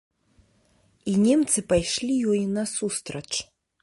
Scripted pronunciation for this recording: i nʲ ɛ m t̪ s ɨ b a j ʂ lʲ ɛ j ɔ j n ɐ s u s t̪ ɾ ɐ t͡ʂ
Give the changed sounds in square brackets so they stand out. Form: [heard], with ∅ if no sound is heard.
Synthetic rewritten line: i nʲ ɛ m t̪ s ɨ [p] a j ʂ lʲ [i] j ɔ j n ɐ s u s t̪ ɾ ɐ t͡ʂ